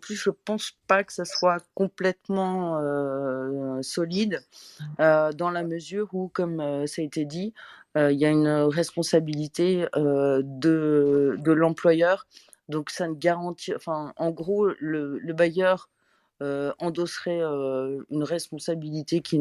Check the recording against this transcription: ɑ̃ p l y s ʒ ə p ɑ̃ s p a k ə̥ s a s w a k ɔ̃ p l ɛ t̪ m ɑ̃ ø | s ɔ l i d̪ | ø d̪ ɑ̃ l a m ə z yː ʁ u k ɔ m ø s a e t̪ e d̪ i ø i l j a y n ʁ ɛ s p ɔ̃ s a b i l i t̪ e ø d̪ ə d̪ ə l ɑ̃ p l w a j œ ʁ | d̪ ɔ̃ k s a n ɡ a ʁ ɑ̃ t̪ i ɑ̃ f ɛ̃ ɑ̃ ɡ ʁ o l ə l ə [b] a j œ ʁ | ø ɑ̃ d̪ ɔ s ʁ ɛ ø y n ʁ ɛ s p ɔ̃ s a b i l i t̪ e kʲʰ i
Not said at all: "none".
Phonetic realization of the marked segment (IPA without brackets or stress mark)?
b